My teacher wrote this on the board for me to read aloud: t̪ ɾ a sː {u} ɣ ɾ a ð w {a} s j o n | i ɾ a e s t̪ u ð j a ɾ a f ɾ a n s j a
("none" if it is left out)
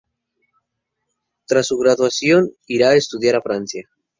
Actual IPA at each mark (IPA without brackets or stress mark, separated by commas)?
u, a